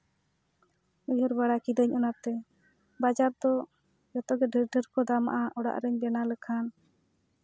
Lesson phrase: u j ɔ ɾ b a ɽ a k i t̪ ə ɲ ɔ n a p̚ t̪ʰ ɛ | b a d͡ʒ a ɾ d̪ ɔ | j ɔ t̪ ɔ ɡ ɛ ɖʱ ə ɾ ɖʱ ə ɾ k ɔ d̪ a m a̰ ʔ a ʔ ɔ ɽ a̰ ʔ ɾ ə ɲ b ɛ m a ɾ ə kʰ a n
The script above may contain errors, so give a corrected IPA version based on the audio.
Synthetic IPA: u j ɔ ɾ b a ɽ a k i d̪ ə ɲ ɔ n a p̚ t̪ ɛ | b a d͡ʒ a ɾ d̪ ɔ | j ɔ t̪ ɔ ɡ ɛ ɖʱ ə ɾ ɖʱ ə ɾ k ɔ d̪ a m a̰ ʔ a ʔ ɔ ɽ a̰ ʔ ɾ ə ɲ b ɛ n a l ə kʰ a n